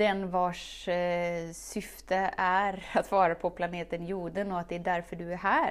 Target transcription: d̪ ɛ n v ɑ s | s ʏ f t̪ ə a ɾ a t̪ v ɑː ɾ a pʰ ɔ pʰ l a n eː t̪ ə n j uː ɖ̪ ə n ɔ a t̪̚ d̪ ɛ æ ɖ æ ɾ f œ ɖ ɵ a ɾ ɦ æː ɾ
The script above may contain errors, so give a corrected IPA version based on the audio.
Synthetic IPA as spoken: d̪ ɛ n v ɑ ʂ | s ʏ f t̪ ə æ ɾ a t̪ v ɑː ɾ a pʰ ɔ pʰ l a n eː t̪ ə n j uː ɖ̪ ə n ɔ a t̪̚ d̪ ɛ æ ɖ æ ɾ f œ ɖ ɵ æ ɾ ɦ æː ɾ